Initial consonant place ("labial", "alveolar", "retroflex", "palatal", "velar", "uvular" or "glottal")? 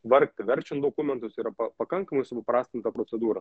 labial